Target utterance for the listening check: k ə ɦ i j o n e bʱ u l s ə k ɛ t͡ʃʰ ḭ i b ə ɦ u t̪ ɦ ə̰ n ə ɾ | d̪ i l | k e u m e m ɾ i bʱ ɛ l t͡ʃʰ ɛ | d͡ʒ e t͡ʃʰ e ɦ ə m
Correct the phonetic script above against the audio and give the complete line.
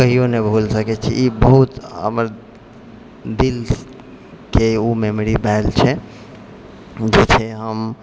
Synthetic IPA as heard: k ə ɦ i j o n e bʱ u l s ə k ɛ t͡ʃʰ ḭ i b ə ɦ u t̪ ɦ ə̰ m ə ɾ | d̪ i l | k e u m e m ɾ i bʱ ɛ l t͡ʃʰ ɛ | d͡ʒ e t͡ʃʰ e ɦ ə m